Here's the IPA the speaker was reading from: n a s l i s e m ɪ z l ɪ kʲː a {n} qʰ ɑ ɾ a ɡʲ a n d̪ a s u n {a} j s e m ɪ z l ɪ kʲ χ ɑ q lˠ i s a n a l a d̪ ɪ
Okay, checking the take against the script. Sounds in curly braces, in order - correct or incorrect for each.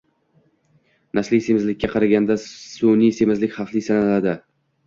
incorrect, incorrect

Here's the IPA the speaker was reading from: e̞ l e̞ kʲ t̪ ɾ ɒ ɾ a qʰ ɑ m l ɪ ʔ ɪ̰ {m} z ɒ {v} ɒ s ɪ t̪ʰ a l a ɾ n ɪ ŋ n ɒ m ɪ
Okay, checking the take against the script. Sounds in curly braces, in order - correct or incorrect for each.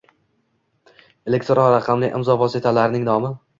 correct, correct

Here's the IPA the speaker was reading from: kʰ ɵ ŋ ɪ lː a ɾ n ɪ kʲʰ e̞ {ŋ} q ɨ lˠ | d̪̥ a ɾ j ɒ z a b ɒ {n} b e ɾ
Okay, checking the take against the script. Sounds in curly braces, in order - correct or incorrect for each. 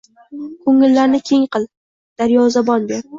correct, correct

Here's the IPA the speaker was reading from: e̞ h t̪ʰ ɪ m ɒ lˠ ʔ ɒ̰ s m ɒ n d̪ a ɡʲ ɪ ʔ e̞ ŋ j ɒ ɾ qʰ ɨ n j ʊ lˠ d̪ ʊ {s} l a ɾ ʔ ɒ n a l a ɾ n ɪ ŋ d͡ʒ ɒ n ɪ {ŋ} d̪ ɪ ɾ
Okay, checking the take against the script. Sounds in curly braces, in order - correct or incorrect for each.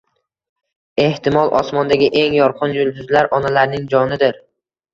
incorrect, incorrect

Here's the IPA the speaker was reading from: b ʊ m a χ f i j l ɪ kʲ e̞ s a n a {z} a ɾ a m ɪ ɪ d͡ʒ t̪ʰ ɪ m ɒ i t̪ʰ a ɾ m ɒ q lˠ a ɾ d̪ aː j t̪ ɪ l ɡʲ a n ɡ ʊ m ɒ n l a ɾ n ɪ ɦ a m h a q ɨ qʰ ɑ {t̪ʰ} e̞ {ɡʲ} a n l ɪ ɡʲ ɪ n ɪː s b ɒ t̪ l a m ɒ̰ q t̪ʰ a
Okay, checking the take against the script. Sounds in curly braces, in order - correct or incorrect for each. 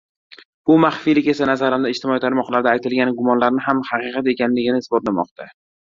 correct, incorrect, incorrect

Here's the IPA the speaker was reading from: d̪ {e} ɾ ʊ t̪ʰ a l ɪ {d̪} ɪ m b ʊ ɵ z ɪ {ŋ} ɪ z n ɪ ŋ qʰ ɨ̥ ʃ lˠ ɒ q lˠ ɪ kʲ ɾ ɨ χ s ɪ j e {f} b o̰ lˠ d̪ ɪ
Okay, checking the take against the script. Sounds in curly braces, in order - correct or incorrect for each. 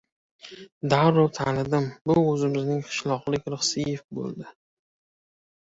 incorrect, correct, incorrect, correct

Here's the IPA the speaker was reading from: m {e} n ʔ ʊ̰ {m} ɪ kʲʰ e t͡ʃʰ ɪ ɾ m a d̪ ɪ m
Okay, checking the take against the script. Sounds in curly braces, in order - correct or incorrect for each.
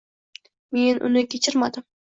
correct, incorrect

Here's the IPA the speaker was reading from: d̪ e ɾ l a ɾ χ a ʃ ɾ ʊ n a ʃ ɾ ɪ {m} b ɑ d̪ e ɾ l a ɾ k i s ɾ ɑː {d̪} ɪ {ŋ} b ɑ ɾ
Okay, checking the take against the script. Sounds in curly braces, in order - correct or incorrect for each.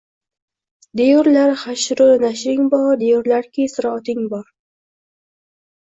incorrect, incorrect, correct

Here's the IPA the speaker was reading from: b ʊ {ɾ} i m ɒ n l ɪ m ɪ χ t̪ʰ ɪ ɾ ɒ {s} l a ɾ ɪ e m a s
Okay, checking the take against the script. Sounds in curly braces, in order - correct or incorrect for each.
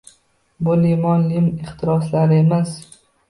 incorrect, correct

